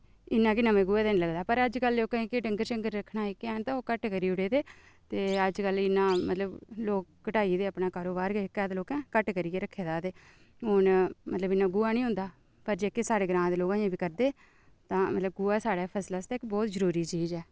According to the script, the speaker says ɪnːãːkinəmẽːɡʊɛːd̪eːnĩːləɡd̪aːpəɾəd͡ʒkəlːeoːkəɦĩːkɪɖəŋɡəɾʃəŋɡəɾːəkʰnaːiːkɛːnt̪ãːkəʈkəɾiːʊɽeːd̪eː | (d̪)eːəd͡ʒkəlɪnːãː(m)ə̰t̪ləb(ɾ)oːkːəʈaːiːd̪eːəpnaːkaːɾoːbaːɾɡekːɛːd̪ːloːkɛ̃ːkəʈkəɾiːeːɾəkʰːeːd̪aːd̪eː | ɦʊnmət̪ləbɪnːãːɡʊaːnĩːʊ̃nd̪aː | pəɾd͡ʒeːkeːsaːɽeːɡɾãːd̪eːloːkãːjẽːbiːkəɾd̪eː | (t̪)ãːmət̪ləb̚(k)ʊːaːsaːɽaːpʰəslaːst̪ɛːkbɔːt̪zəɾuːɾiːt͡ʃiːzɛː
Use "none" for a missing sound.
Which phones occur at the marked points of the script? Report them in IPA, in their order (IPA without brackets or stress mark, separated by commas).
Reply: t̪, m, l, t̪, ɡ